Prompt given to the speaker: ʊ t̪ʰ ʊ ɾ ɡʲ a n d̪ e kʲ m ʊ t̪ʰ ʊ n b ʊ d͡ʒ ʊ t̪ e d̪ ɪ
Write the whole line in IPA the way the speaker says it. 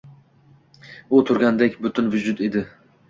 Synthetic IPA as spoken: ʊ t̪ʰ ʊ ɾ ɡʲ a n d̪ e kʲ b ʊ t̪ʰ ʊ n v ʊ d͡ʒ ʊ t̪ e d̪ ɪ

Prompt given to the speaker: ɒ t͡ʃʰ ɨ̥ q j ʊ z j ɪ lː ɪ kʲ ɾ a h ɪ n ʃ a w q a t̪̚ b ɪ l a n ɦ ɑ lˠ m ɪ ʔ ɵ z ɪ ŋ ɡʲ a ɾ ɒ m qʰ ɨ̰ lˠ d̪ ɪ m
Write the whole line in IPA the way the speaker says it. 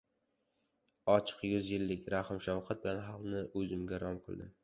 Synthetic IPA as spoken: ɒ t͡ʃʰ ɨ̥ q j ʊ z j ɪ lː ɪ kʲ ɾ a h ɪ m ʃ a w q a t̪̚ b ɪ l a n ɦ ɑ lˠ n ɪ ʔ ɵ z ɪ m ɡʲ a ɾ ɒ m qʰ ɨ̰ lˠ d̪ ɪ m

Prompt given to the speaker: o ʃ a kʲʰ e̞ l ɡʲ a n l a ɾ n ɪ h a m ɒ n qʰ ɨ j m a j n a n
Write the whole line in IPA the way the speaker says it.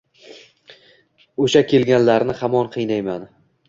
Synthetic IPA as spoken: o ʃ a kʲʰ e̞ l ɡʲ a n l a ɾ n ɪ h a m ɒ n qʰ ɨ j n a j m a n

